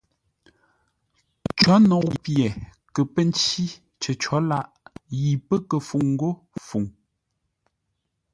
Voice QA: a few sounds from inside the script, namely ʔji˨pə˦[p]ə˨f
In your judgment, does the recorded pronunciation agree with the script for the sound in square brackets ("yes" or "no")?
no